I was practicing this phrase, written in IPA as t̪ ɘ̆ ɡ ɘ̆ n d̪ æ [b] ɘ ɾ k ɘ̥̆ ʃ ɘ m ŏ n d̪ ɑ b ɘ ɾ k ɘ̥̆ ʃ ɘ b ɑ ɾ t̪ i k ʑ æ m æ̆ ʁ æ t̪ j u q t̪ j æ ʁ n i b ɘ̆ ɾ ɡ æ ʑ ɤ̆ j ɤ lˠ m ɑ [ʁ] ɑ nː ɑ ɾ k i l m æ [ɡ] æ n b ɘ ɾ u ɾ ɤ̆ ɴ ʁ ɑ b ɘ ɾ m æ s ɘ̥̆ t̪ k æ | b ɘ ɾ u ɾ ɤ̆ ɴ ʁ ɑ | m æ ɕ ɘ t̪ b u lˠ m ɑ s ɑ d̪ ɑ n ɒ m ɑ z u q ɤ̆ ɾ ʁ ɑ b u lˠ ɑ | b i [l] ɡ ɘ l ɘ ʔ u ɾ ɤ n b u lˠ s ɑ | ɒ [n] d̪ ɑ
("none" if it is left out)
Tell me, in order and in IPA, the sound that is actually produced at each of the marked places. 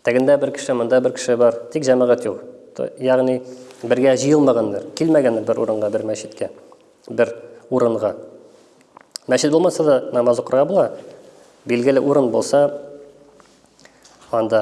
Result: b, ʁ, ɡ, l, n

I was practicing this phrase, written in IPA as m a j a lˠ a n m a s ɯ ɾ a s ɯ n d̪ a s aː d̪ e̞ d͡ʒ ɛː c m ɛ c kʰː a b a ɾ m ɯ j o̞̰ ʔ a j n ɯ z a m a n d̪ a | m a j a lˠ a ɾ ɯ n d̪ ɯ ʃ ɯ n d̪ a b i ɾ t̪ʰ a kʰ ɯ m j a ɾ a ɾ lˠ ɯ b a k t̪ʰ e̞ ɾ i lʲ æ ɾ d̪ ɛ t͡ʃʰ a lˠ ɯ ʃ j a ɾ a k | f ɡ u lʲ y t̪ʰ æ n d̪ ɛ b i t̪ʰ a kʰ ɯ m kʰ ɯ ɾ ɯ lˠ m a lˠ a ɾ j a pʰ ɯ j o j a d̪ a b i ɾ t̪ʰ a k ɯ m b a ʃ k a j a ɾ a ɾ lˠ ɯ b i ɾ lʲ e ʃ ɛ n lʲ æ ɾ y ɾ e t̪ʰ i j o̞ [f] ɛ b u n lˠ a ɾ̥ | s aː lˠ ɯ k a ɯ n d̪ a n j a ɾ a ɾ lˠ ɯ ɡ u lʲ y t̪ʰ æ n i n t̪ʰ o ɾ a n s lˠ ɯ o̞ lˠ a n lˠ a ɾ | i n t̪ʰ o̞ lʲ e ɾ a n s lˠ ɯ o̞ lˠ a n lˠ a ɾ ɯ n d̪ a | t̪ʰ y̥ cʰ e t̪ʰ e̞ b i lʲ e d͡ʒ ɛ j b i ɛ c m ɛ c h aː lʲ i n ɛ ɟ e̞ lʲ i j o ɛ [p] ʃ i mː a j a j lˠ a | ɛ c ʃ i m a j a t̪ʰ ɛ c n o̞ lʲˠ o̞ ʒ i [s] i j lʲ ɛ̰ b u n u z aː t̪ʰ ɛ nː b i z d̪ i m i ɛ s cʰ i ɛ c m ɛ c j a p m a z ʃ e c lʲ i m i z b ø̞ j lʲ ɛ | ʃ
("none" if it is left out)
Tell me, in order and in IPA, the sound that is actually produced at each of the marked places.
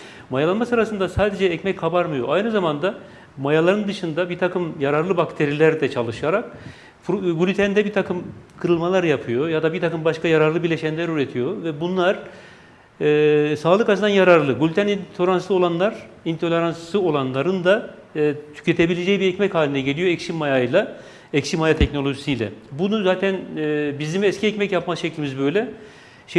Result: v, c, s

